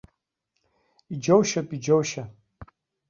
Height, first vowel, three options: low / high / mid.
high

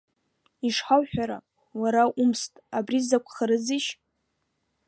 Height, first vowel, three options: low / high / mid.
high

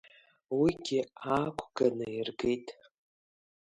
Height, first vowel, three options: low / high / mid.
high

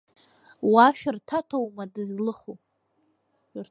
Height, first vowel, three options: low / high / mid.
low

